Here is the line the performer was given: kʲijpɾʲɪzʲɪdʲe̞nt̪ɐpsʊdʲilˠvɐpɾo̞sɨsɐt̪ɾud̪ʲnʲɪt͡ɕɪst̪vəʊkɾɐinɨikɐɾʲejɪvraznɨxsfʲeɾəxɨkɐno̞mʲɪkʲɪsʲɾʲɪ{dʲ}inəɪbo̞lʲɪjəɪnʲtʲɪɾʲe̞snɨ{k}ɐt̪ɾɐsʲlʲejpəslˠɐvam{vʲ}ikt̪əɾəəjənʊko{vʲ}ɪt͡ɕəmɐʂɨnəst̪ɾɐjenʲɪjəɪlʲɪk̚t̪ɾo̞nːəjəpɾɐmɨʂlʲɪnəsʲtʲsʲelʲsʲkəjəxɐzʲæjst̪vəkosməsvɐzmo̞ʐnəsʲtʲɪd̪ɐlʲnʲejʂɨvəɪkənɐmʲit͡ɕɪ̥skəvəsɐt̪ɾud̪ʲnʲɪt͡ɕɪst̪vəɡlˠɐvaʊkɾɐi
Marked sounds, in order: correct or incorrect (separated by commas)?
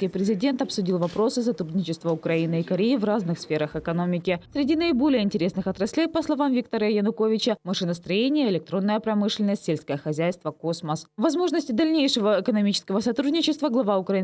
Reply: correct, incorrect, correct, correct